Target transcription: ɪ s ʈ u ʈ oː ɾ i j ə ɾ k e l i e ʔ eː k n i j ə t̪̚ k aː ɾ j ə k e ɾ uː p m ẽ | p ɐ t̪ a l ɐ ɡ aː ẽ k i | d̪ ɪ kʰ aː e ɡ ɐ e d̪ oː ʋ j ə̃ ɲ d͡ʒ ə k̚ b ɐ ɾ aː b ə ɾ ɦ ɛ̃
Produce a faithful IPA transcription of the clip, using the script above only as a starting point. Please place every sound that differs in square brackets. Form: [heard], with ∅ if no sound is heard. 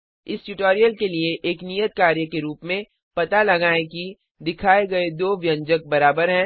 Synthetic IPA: ɪ s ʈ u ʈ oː ɾ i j ə [l] k e l i e ʔ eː k n i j ə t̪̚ k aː ɾ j ə k e ɾ uː p m ẽ | p ɐ t̪ a l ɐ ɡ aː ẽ k i | d̪ ɪ kʰ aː e ɡ ɐ e d̪ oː ʋ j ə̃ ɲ d͡ʒ ə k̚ b ɐ ɾ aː b ə ɾ ɦ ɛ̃